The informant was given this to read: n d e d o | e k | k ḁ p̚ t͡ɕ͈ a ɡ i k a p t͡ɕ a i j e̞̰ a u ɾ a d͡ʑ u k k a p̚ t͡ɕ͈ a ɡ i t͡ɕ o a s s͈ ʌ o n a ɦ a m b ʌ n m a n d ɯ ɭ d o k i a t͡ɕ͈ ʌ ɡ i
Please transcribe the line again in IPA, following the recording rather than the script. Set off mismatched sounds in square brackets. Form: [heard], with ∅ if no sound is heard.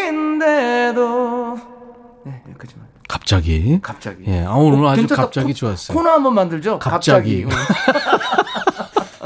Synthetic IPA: n d e d o | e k | k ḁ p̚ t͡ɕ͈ a ɡ i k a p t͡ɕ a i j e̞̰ a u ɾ a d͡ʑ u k k a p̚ t͡ɕ͈ a ɡ i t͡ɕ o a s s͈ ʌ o n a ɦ a m b ʌ n m a n d ɯ ɭ [d͡ʑ] o k [a] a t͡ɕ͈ [a] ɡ i